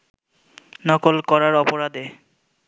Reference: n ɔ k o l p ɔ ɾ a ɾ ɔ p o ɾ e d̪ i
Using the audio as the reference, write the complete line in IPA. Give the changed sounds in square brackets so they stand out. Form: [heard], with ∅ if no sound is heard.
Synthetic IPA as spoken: n ɔ k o l [k] ɔ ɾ a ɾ ɔ p o ɾ [a] d̪ [e]